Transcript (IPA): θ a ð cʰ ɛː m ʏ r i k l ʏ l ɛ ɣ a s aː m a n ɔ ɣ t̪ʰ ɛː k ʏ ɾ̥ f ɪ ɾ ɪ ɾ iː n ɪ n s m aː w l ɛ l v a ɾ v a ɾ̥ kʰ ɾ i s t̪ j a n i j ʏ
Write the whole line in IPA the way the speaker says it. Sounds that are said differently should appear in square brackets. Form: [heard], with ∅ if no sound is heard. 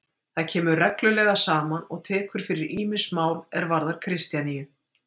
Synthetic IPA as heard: θ a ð cʰ ɛː m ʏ r [ɛ] k l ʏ l ɛ ɣ a s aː m a n ɔ ɣ t̪ʰ ɛː k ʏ ɾ̥ f ɪ ɾ ɪ ɾ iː [m] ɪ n s m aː w l ɛ [ɾ] v a ɾ [ð] a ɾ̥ kʰ ɾ [ɪ] s t̪ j a n i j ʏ